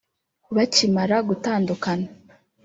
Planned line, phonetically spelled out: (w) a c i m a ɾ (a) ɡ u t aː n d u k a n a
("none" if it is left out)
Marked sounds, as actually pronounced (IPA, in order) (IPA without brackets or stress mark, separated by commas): β, a